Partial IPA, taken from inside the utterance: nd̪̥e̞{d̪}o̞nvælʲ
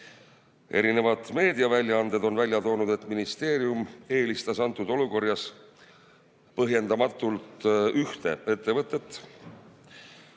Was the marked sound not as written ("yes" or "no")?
no